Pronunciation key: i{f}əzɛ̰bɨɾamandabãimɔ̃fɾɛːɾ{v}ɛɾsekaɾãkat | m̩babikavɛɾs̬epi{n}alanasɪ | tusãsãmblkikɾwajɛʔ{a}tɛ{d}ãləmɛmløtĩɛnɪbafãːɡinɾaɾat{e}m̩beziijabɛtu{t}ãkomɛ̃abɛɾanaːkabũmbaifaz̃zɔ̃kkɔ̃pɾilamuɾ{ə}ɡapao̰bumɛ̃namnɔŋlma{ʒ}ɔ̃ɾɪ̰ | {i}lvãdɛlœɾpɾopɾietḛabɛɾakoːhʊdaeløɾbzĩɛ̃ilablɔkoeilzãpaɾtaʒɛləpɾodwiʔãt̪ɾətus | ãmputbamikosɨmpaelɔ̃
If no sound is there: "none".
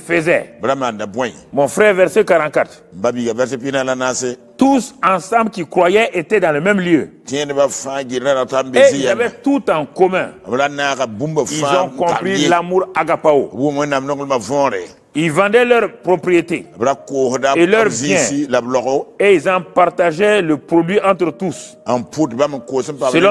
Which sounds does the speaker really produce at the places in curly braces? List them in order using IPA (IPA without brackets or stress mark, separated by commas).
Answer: f, v, n, e, d, a, t, a, v, i